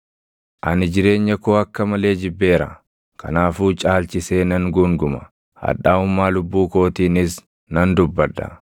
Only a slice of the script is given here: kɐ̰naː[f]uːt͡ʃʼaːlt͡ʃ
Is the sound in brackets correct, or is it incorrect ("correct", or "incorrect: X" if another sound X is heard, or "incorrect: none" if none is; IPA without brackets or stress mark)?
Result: correct